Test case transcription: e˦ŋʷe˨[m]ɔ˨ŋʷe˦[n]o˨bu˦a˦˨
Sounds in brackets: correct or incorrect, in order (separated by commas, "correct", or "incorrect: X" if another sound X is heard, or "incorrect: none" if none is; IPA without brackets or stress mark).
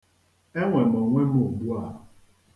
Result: correct, incorrect: m